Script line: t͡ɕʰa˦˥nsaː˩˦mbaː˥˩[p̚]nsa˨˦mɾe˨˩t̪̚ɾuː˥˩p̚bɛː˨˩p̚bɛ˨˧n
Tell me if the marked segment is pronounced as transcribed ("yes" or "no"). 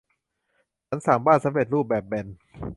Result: no